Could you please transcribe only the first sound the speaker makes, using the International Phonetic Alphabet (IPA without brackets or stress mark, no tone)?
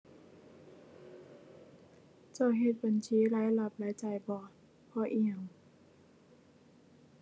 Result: t͡ɕ